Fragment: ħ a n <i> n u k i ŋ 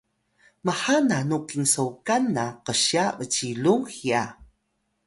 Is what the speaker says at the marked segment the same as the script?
no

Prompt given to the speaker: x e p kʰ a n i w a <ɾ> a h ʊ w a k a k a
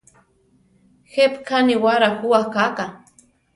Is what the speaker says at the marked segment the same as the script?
yes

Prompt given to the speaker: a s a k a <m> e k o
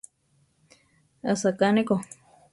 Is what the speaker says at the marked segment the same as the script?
no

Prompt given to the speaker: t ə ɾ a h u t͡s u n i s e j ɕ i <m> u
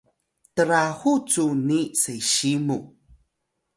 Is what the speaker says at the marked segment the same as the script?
yes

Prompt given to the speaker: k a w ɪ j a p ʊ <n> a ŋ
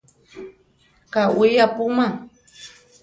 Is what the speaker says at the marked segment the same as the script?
no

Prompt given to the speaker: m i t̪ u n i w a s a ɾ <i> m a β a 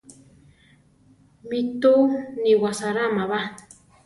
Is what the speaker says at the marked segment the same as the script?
no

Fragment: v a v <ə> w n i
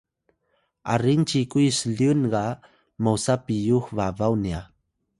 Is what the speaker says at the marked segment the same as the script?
no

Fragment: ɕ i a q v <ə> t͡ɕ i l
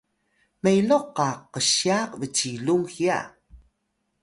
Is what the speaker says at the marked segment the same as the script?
yes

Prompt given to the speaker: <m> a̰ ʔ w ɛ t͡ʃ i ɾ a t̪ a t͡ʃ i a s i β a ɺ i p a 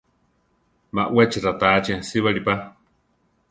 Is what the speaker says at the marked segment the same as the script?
yes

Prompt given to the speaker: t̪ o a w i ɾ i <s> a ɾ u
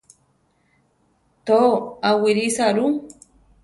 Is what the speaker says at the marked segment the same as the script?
yes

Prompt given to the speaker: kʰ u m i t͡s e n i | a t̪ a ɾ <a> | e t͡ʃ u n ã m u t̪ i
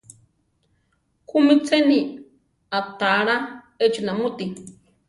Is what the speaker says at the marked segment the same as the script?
yes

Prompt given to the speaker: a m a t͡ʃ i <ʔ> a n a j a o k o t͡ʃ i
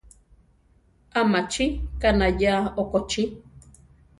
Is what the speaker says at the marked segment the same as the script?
no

